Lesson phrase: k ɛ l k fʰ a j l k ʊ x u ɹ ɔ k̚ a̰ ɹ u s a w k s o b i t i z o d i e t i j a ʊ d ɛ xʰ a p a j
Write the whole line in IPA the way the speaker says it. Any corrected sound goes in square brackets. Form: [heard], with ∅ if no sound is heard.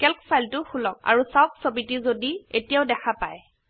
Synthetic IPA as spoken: k ɛ l k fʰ a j l [t] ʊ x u [l] ɔ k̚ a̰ ɹ u s a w k s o b i t i z o d i e t i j a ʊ d ɛ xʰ a p a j